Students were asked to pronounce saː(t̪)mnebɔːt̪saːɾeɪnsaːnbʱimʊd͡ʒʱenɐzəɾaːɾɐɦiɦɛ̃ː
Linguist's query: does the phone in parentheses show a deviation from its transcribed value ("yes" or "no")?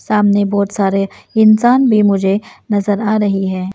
yes